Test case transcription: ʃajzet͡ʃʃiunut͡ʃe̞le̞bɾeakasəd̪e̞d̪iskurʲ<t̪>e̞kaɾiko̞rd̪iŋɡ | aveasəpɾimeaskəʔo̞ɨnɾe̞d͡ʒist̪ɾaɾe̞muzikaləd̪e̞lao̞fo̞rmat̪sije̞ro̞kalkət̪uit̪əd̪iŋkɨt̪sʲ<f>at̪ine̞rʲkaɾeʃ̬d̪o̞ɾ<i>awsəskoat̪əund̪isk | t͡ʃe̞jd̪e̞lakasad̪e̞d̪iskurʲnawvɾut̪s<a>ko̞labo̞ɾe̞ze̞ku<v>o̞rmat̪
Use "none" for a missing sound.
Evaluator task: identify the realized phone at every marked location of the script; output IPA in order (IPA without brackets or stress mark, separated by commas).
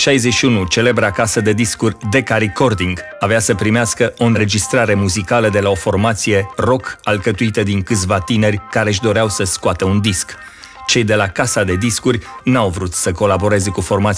d̪, v, e, ə, f